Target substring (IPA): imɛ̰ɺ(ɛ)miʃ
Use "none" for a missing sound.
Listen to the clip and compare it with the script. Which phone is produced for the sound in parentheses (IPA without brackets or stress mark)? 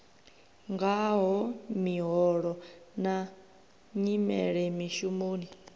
ɛ